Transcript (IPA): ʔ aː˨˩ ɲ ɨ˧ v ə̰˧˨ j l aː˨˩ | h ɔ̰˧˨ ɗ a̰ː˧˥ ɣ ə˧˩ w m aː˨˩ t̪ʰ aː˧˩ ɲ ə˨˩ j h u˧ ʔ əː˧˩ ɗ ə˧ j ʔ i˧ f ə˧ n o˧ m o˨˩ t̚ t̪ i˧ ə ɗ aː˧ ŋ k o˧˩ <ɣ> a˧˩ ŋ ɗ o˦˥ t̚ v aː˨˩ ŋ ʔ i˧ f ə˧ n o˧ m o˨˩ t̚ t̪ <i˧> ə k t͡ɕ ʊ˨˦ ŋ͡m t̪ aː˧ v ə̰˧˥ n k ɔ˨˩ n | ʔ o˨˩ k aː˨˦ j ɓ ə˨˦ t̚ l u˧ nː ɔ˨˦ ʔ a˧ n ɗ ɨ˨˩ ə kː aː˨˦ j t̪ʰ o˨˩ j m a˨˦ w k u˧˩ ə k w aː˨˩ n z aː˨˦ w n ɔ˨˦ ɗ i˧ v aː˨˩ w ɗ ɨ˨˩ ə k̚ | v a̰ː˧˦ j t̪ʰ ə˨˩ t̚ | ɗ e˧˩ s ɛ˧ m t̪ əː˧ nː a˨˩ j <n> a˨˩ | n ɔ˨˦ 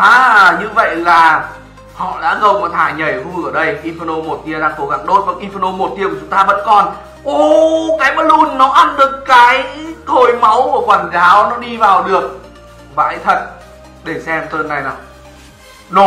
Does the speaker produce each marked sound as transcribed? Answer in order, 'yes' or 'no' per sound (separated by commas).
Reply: yes, yes, yes